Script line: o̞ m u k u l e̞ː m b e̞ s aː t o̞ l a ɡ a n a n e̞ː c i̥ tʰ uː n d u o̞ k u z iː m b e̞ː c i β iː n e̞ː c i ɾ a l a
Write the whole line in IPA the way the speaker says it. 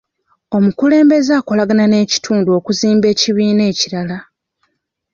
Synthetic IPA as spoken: o̞ m u k u l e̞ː m b e̞ z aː k o̞ l a ɡ a n a n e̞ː c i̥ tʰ uː n d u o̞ k u z iː m b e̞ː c i β iː n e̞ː c i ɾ a l a

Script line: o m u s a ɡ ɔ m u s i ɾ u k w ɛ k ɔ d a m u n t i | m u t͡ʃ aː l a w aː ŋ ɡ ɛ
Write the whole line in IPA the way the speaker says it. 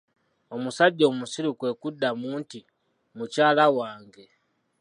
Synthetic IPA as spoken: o m u s a ɟ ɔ m u s i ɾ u k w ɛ k u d a m u n t i | m u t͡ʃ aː l a w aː ŋ ɡ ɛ

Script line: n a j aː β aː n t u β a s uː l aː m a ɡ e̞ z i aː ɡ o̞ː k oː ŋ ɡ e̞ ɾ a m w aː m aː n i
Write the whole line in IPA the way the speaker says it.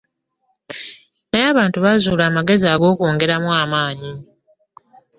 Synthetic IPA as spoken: n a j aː β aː n t u β a z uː l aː m a ɡ e̞ z i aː ɡ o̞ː k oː ŋ ɡ e̞ ɾ a m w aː m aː ɲ i

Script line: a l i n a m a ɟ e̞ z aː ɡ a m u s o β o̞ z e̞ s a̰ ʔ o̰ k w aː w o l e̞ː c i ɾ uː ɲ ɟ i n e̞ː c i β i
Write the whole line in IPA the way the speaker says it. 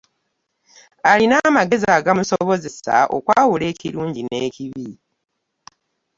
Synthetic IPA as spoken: a l i n a m a ɡ e̞ z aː ɡ a m u s o β o̞ z e̞ s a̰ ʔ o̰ k w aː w u l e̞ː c i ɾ uː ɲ ɟ i n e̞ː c i β i

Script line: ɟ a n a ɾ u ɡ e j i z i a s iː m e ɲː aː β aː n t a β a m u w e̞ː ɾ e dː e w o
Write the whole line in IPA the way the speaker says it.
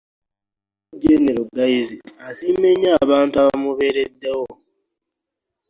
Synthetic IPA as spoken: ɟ e n e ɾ u ɡ a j i z i a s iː m e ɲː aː β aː n t a β a m u β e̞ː ɾ e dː e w o

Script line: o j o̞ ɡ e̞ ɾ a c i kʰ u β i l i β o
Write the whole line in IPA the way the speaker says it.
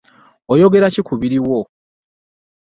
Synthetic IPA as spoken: o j o̞ ɡ e̞ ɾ a c i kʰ u β i ɾ i w o

